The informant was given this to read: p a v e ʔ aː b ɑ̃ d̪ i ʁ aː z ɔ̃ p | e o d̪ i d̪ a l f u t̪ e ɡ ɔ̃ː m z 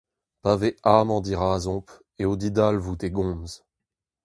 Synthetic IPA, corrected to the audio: p a v e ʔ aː m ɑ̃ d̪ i ʁ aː z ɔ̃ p | e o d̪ i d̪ a l v u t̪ e ɡ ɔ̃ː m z